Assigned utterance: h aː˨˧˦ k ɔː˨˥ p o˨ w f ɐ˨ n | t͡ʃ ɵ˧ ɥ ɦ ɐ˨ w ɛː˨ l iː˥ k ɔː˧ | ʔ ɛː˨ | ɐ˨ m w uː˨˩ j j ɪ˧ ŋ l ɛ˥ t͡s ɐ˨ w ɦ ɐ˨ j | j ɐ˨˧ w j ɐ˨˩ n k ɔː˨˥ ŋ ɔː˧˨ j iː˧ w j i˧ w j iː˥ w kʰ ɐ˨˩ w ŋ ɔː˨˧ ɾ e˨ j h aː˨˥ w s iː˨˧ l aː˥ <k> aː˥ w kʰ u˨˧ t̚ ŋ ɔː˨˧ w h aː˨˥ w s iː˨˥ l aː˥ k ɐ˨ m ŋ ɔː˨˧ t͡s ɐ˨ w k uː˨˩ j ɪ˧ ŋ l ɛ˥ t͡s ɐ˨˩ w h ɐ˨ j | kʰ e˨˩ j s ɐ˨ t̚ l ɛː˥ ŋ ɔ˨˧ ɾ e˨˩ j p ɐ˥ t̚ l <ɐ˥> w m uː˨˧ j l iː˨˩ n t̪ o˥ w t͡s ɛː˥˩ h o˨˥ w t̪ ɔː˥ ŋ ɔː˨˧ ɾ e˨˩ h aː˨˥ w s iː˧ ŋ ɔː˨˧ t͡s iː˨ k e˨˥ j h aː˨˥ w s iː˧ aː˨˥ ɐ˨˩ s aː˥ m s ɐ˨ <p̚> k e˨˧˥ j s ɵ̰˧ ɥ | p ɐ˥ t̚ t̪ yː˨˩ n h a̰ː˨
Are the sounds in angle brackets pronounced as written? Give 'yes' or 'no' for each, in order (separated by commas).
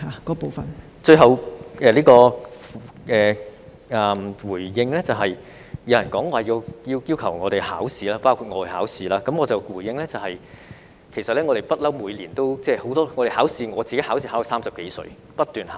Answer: no, yes, yes